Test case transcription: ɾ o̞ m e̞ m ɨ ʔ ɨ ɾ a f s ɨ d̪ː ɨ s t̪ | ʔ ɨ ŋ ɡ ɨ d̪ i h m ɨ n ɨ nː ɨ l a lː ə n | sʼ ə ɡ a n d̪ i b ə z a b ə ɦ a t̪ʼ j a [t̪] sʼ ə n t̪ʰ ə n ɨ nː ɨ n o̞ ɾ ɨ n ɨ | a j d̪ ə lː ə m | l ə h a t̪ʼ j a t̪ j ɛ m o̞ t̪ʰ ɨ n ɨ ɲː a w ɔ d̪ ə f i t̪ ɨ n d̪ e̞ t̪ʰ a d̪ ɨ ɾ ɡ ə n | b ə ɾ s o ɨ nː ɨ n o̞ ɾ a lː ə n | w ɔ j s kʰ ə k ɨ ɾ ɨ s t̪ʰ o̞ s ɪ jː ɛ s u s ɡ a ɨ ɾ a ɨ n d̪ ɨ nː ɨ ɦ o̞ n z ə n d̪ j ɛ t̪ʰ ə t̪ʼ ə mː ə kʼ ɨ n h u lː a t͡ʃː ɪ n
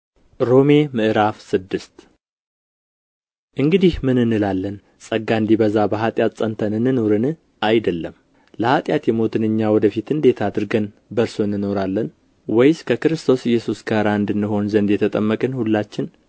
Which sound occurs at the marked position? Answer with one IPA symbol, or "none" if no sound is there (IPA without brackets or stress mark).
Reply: t̪